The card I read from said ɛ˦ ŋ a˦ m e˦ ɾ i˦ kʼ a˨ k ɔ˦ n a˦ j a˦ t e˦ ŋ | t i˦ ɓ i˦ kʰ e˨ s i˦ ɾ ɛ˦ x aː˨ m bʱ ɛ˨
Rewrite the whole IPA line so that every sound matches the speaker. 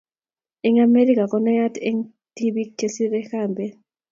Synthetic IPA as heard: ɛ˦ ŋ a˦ m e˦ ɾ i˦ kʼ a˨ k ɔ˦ n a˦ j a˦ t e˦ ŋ | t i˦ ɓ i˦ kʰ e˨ s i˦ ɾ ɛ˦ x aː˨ m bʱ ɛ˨